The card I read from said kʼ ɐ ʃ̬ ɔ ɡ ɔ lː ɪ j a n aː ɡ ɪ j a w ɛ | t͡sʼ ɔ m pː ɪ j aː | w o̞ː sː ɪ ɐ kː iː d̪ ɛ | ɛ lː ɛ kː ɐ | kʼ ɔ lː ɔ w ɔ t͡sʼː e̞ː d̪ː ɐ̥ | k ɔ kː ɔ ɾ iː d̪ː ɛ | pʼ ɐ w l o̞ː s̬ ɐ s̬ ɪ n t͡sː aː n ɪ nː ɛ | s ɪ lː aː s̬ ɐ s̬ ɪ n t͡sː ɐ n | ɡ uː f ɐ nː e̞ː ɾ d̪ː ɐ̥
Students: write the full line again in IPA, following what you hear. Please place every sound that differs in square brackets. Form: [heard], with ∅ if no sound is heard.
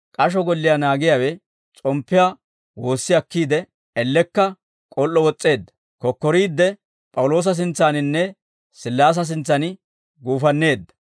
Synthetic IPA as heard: kʼ ɐ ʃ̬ ɔ ɡ ɔ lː ɪ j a n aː ɡ ɪ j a w ɛ | t͡sʼ ɔ m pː ɪ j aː | w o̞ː sː ɪ ɐ kː iː d̪ ɛ | ɛ lː ɛ kː ɐ | kʼ ɔ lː ɔ w ɔ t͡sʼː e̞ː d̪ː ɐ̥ | k ɔ kː ɔ ɾ iː d̪ː ɛ | pʼ ɐ w l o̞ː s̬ ɐ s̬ ɪ n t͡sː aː n ɪ nː ɛ | s ɪ lː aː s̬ ɐ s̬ ɪ n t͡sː ɐ n | ɡ uː f ɐ nː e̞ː [∅] d̪ː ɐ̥

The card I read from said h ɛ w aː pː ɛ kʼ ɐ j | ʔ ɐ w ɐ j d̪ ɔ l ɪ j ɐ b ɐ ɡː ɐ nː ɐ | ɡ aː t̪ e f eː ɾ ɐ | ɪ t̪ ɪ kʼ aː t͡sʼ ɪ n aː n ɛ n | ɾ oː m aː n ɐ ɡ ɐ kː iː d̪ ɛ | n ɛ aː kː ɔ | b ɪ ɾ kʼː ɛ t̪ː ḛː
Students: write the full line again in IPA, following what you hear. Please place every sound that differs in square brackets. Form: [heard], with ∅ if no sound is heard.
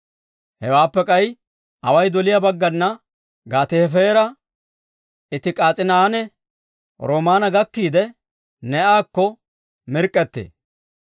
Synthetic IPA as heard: h ɛ w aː pː ɛ kʼ ɐ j | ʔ ɐ w ɐ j d̪ ɔ l ɪ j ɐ b ɐ ɡː ɐ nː ɐ | ɡ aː t̪ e f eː ɾ ɐ | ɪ t̪ ɪ kʼ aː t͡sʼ ɪ n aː n ɛ [∅] | ɾ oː m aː n ɐ ɡ ɐ kː iː d̪ ɛ | n ɛ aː kː ɔ | [m] ɪ ɾ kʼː ɛ t̪ː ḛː

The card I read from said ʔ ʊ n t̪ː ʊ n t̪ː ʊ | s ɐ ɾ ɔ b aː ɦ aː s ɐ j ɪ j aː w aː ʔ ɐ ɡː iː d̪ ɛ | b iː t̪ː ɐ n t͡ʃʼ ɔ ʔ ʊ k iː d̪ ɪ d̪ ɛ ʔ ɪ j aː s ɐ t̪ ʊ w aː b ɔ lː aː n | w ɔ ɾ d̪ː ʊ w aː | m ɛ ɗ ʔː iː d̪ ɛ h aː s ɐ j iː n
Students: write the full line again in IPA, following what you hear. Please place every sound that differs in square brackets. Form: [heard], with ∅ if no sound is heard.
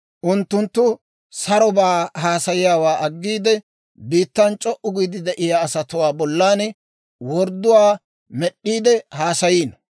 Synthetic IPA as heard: ʔ ʊ n t̪ː ʊ n t̪ː ʊ | s ɐ ɾ ɔ b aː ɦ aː s ɐ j ɪ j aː w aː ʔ ɐ ɡː iː d̪ ɛ | b iː t̪ː ɐ n t͡ʃʼ ɔ ʔ ʊ [ɡ] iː d̪ ɪ d̪ ɛ ʔ ɪ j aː s ɐ t̪ ʊ w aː b ɔ lː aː n | w ɔ ɾ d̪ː ʊ w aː | m ɛ ɗ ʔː iː d̪ ɛ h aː s ɐ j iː n

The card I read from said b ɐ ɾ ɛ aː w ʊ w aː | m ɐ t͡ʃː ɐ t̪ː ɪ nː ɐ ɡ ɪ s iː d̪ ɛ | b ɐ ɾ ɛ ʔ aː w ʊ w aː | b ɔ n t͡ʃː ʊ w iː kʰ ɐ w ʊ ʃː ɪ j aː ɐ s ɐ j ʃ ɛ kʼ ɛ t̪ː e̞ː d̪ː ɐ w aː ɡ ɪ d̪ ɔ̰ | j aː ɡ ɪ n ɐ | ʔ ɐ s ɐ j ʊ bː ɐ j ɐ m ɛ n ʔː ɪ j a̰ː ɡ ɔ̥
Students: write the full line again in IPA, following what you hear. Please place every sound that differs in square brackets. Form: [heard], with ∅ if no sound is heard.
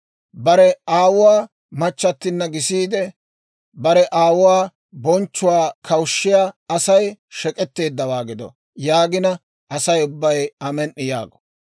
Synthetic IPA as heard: b ɐ ɾ ɛ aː w ʊ w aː | m ɐ t͡ʃː ɐ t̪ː ɪ nː ɐ ɡ ɪ s iː d̪ ɛ | b ɐ ɾ ɛ ʔ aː w ʊ w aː | b ɔ n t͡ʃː ʊ w [aː] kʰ ɐ w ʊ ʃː ɪ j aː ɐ s ɐ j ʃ ɛ kʼ ɛ t̪ː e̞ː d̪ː ɐ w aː ɡ ɪ d̪ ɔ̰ | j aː ɡ ɪ n ɐ | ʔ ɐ s ɐ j ʊ bː ɐ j ɐ m ɛ n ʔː ɪ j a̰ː ɡ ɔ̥

